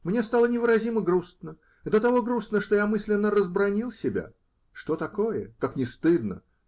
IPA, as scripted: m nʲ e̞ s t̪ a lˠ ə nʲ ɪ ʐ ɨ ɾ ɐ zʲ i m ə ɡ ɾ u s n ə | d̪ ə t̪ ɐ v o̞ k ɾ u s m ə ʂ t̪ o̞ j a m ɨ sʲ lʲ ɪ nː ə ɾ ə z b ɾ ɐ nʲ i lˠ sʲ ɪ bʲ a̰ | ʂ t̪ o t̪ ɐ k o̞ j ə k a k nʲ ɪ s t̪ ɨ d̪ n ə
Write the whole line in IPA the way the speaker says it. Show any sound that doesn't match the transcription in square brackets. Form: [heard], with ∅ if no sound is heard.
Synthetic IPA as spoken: m nʲ e̞ s t̪ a lˠ ə nʲ ɪ [v] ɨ ɾ ɐ zʲ i m ə ɡ ɾ u s n ə | d̪ ə t̪ ɐ v o̞ [ɡ] ɾ u s [n] ə ʂ t̪ o̞ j a m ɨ sʲ lʲ ɪ nː ə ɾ ə z b ɾ ɐ nʲ i lˠ sʲ ɪ bʲ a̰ | ʂ t̪ o t̪ ɐ k o̞ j ə k a k nʲ ɪ s t̪ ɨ d̪ n ə